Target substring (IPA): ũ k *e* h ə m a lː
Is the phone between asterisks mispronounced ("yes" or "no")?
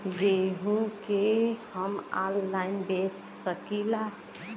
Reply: no